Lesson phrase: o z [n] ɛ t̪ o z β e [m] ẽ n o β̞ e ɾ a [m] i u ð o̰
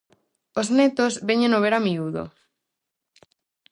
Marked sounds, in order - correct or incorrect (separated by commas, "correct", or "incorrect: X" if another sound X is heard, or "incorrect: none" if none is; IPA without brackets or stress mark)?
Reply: correct, incorrect: ɲ, correct